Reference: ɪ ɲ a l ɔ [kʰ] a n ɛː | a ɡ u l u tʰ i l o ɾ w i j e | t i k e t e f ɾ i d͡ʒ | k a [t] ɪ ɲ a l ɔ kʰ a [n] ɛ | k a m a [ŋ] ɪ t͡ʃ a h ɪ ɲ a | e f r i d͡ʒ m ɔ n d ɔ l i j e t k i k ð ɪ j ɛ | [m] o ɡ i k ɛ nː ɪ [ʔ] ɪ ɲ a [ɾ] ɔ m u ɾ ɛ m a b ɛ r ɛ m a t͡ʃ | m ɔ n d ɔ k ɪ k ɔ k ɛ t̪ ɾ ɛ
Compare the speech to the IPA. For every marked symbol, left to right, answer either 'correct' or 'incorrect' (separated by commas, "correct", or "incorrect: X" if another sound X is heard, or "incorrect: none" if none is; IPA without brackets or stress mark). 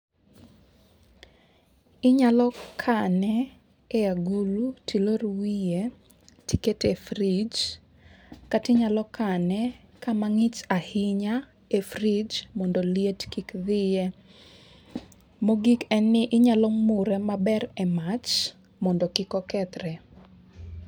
correct, correct, correct, correct, correct, correct, incorrect: l